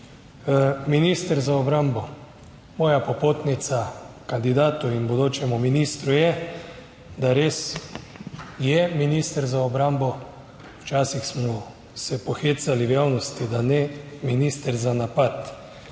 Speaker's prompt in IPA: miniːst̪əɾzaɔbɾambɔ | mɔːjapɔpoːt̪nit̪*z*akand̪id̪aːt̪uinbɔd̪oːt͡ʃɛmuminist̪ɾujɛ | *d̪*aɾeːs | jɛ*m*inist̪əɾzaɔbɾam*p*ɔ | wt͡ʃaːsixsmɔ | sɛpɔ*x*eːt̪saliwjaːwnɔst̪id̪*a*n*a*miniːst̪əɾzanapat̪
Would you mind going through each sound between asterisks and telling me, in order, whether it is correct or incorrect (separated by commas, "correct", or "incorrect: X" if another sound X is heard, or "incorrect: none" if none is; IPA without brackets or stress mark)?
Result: incorrect: s, correct, correct, incorrect: b, correct, correct, incorrect: ɛ